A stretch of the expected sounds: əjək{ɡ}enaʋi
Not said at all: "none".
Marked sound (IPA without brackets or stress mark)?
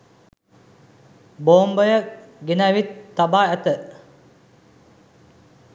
ɡ